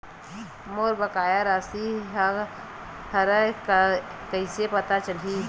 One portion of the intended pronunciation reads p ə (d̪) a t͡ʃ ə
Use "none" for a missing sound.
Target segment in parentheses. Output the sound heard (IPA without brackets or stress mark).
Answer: t̪